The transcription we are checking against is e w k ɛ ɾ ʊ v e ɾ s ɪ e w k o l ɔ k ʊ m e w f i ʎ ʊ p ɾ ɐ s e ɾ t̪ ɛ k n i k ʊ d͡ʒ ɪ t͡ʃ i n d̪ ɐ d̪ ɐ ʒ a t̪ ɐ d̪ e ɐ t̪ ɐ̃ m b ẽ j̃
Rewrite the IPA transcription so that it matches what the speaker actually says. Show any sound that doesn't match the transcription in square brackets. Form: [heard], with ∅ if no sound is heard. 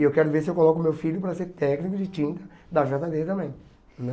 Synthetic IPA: e w k ɛ ɾ ʊ v e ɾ s ɪ e w k o l ɔ k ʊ m e w f i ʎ ʊ p ɾ ɐ s e ɾ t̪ ɛ k n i k ʊ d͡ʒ ɪ t͡ʃ [ĩ] n [t̪] ɐ d̪ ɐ ʒ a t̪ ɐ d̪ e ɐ t̪ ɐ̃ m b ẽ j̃